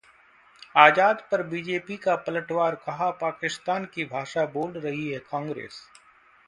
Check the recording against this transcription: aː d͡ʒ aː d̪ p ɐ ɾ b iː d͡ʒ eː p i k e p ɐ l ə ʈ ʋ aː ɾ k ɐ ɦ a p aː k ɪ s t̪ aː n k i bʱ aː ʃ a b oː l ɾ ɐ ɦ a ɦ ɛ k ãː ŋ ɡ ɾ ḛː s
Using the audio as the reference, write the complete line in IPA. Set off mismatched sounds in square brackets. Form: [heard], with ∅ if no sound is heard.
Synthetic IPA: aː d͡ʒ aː d̪ p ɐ ɾ b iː d͡ʒ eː p i k [a] p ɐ l ə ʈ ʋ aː ɾ k ɐ ɦ a p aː k ɪ s t̪ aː n k i bʱ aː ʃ a b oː l ɾ ɐ ɦ [i] ɦ ɛ k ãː ŋ ɡ ɾ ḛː s

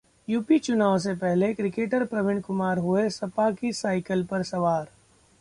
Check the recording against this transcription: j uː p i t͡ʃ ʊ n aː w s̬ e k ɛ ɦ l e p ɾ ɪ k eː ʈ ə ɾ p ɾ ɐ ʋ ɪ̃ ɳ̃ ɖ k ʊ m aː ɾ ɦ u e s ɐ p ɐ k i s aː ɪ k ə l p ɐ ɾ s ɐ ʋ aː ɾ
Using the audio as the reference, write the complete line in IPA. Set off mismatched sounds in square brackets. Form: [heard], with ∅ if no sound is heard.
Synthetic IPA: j uː p i t͡ʃ ʊ n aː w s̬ e [p] ɛ ɦ l e [k] ɾ ɪ k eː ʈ ə ɾ p ɾ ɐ ʋ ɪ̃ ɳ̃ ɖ k ʊ m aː ɾ ɦ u e s ɐ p [a] k i s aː ɪ k ə l p ɐ ɾ s ɐ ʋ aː ɾ

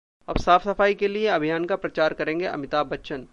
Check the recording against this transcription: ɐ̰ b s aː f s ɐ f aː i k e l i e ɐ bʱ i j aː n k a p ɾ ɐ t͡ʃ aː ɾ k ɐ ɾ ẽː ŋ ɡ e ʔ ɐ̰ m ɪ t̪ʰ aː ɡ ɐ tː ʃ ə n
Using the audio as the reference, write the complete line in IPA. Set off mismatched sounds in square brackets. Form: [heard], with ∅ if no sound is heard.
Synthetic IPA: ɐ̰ b s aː f s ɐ f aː i k e l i e ɐ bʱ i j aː n k a p ɾ ɐ t͡ʃ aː ɾ k ɐ ɾ ẽː ŋ ɡ e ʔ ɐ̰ m ɪ [t̪] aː [b] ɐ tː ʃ ə n

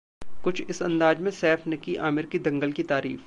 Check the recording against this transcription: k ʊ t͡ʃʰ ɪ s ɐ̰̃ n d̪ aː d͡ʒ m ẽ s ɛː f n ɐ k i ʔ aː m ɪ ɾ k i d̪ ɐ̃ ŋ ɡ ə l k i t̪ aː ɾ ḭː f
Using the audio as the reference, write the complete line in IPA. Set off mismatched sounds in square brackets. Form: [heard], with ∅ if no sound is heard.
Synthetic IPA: k ʊ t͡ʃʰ ɪ s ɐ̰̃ n d̪ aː d͡ʒ m ẽ s ɛː f n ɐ k i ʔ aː m ɪ ɾ k i d̪ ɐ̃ ŋ ɡ ə l k i t̪ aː ɾ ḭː f

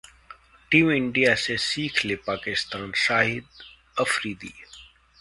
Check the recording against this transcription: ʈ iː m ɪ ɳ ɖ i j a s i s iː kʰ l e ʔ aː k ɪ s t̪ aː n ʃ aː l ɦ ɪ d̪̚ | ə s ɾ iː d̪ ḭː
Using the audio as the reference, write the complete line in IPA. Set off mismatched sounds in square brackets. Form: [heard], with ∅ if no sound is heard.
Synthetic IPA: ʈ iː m ɪ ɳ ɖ i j a s [e] s iː kʰ l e [p] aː k ɪ s t̪ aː n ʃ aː [∅] ɦ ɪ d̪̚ | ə [f] ɾ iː d̪ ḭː

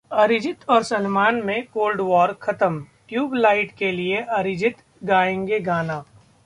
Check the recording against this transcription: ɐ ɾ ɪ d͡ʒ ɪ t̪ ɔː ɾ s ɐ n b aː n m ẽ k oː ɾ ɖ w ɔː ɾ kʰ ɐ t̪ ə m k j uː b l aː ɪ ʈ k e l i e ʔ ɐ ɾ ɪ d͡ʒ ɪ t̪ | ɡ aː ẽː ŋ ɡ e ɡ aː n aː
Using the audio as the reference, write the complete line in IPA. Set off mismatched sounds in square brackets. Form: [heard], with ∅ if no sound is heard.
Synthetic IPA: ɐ ɾ ɪ d͡ʒ ɪ t̪ ɔː ɾ s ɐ n [m] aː n m ẽ k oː [l] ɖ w ɔː ɾ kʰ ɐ t̪ ə m k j uː b l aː ɪ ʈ k e l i e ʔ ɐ ɾ ɪ d͡ʒ ɪ t̪ | ɡ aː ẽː ŋ ɡ e ɡ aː n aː

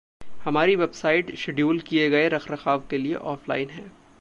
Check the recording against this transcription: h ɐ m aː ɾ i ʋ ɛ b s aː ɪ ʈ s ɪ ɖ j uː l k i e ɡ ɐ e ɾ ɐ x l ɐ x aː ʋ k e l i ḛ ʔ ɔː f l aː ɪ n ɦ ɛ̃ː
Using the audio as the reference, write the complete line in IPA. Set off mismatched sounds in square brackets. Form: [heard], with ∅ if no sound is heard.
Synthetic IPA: h ɐ m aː ɾ i ʋ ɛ b s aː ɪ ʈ [ʃ] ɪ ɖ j uː l k i e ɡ ɐ e ɾ ɐ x [ɾ] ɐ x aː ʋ k e l i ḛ ʔ ɔː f l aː ɪ n ɦ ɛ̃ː

